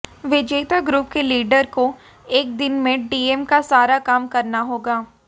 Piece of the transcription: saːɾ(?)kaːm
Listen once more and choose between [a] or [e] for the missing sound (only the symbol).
a